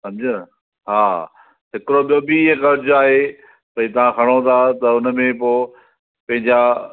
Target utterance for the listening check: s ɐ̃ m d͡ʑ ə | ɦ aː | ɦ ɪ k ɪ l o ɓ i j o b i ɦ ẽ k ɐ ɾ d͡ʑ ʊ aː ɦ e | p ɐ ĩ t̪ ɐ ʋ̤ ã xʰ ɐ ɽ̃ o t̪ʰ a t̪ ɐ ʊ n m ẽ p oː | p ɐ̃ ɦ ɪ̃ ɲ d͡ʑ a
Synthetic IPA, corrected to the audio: s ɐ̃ m d͡ʑ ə | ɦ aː | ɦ ɪ k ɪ ɾ o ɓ i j o b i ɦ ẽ k ɐ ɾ d͡ʑ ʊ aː ɦ e | p ɐ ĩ t̪ ɐ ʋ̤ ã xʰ ɐ ɽ̃ o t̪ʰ a t̪ ɐ ʊ n m ẽ p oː | p ɐ̃ ɦ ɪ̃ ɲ d͡ʑ a